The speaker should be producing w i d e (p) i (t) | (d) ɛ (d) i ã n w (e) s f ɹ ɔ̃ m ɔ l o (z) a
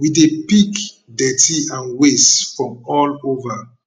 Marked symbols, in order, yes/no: yes, no, yes, no, yes, no

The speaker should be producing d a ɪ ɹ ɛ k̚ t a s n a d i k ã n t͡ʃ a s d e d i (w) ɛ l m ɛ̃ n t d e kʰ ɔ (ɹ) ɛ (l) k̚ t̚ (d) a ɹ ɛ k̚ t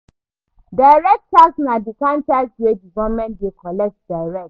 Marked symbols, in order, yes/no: no, no, no, yes

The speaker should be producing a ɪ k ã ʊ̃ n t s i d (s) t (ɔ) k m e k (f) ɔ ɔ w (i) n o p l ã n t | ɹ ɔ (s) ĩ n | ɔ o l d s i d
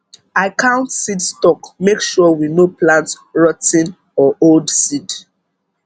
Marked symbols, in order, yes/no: yes, yes, no, yes, no

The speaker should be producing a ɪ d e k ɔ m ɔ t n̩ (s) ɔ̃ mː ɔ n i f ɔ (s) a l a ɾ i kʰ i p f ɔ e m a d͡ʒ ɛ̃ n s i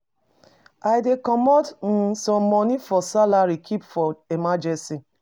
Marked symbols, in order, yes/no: yes, yes

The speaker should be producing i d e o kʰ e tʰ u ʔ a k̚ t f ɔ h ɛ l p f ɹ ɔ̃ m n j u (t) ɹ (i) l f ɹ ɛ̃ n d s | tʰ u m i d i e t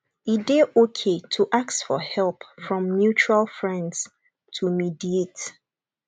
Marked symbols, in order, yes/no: no, no

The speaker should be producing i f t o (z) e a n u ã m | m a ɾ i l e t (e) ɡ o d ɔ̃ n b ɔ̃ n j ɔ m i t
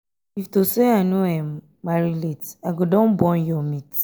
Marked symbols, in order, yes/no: no, no

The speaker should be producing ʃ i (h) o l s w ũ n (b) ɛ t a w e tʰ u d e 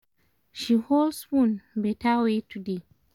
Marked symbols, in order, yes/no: yes, yes

